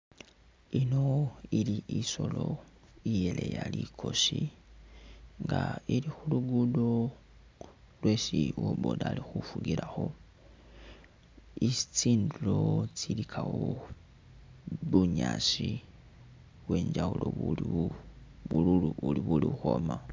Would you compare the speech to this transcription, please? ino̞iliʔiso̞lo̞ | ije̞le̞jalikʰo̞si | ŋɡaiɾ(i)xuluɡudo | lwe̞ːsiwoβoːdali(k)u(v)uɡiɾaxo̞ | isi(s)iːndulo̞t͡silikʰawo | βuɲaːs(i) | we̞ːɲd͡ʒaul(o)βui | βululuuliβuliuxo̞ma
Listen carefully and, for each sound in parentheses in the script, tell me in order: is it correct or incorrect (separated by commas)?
correct, incorrect, incorrect, incorrect, correct, correct